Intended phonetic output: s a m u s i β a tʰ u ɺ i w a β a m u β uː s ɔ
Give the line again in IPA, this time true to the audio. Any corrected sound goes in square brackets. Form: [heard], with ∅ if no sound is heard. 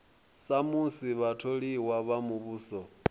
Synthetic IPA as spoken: s a m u s i β a tʰ [o] ɺ i w a β a m u β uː s ɔ

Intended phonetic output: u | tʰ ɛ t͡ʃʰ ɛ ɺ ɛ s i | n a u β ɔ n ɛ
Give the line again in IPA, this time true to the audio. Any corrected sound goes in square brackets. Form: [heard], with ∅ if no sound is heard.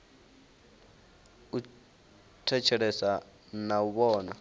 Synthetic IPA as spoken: u | tʰ ɛ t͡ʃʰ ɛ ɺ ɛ s [a] | n a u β [ɔː] n [a]

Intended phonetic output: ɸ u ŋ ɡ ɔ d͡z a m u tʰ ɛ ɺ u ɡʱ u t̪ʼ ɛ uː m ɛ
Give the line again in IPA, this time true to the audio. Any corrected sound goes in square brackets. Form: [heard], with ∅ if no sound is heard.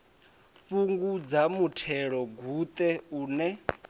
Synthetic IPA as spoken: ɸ u ŋ ɡ [u] d͡z a m u tʰ ɛ ɺ [ɔ] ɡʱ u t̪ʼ ɛ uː [n] ɛ

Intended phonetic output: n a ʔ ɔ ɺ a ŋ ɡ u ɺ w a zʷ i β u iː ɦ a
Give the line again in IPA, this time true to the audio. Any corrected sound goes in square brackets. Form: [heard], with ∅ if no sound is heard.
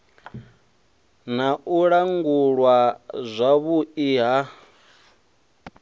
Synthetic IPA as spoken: n a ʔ [u] ɺ a ŋ ɡ u ɺ w a zʷ [a] β u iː ɦ a

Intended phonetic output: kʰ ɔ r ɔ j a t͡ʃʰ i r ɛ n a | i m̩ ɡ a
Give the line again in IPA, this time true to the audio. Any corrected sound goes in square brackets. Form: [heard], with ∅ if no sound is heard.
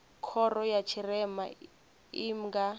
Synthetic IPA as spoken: kʰ ɔ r ɔ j a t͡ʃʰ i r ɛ [m] a | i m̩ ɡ a

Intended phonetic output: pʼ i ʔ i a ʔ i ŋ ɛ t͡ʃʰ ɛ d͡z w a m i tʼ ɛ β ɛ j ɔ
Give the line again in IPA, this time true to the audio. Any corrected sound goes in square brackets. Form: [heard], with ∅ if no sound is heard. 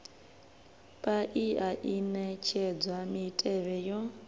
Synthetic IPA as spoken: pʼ [a] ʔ i a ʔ i [n] ɛ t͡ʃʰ ɛ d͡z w a m i tʼ ɛ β ɛ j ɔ

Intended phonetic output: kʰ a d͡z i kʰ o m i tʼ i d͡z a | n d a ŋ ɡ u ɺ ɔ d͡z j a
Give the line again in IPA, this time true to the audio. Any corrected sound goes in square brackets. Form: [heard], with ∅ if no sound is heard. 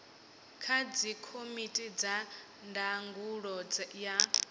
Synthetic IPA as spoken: kʰ a d͡z i kʰ o m i tʼ i d͡z a | n d a ŋ ɡ u ɺ ɔ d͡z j a

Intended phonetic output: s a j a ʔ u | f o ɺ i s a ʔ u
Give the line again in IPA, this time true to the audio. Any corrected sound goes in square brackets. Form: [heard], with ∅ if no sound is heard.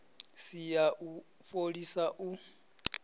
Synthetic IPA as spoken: s [i] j a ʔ u | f o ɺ i s a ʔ u

